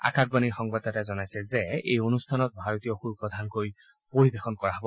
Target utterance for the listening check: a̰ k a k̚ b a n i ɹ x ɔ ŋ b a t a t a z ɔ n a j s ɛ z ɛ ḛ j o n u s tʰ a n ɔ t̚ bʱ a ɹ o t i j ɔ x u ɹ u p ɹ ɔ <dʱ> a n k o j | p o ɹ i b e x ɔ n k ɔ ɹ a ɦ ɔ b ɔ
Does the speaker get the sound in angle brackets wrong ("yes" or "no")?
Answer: no